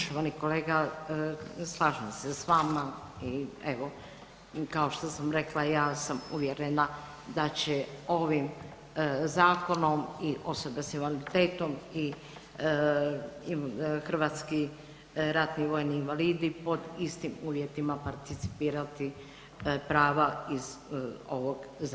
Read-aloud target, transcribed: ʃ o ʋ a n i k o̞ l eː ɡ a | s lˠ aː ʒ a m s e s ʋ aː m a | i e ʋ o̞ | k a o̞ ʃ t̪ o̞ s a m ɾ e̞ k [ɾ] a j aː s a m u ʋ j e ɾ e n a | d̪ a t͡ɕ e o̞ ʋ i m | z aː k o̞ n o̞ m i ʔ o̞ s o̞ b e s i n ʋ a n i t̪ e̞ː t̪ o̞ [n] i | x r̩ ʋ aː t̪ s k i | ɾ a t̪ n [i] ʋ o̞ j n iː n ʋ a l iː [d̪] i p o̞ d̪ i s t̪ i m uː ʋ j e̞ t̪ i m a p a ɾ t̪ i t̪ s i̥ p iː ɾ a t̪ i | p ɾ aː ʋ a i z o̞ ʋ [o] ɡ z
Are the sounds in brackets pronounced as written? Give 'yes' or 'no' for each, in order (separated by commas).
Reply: no, no, yes, yes, yes